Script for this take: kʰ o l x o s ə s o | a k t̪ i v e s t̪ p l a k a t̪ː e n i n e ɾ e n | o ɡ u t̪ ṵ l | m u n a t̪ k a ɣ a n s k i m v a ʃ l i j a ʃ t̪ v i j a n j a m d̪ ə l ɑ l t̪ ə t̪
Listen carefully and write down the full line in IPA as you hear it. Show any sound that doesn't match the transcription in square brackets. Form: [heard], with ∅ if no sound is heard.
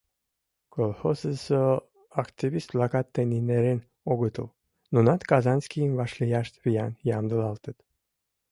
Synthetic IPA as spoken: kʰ o l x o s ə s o | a k t̪ i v [i] s t̪ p l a k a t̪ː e n i n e ɾ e n | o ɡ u t̪ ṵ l | [n] u n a t̪ k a [z] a n s k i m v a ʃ l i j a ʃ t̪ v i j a n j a m d̪ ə l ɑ l t̪ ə t̪